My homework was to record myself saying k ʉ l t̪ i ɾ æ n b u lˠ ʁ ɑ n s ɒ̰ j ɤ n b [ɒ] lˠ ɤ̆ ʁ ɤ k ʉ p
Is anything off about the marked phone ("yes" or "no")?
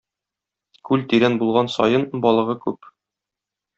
no